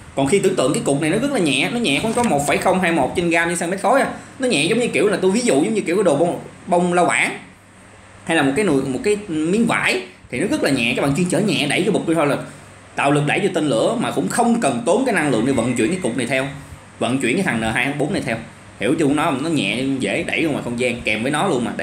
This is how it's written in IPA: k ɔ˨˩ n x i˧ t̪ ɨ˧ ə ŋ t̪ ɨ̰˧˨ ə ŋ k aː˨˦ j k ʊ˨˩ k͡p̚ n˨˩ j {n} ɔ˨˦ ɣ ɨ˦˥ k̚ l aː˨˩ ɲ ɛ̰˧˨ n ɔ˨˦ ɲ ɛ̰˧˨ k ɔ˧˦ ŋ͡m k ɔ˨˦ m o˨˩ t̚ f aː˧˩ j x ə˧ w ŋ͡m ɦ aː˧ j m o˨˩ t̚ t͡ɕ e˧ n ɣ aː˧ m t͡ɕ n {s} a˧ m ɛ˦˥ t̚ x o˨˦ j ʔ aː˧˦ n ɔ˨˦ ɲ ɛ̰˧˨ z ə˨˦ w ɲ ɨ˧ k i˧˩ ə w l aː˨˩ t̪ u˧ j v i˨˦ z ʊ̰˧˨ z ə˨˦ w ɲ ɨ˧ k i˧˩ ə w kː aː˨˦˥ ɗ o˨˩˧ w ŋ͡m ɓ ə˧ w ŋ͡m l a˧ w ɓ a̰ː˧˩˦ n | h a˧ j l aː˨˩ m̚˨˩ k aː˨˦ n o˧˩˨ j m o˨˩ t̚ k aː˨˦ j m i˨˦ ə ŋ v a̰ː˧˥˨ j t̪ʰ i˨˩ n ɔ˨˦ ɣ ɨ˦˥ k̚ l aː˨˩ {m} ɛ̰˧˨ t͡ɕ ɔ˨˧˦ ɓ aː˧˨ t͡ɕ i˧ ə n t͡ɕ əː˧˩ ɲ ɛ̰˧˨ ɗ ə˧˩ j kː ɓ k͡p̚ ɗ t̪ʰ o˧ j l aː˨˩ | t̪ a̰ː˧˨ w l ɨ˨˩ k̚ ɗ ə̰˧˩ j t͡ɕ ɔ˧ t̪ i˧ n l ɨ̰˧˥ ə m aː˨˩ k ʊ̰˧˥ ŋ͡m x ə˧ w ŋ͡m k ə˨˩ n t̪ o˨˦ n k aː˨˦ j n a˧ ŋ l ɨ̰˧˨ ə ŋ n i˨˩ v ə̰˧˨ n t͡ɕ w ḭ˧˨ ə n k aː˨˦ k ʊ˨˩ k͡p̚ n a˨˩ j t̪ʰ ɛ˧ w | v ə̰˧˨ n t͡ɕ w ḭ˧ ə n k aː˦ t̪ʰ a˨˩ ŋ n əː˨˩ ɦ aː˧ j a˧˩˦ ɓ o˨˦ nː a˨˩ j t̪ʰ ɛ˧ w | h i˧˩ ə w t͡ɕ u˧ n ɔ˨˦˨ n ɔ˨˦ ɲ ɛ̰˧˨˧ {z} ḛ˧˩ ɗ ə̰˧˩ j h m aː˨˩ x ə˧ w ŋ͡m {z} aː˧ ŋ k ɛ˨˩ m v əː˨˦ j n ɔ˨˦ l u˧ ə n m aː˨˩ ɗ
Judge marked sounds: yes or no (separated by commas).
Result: yes, yes, no, yes, yes